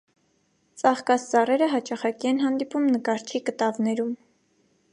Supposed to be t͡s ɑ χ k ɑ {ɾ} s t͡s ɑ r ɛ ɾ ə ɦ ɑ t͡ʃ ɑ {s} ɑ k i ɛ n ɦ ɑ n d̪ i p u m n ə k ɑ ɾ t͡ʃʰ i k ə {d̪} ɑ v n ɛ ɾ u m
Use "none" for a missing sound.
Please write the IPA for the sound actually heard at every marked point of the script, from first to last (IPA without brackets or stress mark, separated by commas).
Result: none, χ, t̪